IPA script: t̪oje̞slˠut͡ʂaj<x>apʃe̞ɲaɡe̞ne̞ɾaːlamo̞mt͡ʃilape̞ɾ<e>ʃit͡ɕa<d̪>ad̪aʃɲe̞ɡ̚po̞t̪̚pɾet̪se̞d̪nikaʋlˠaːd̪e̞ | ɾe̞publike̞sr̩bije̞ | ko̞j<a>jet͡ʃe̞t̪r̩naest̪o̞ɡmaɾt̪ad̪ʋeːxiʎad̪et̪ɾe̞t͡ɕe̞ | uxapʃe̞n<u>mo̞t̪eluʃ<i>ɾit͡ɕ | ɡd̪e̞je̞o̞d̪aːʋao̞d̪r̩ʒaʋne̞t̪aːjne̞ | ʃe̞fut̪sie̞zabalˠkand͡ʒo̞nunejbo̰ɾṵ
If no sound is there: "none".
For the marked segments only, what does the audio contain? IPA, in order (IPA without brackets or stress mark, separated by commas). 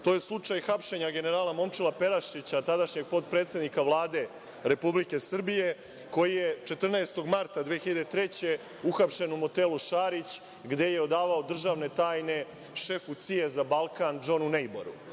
x, a, t̪, i, u, a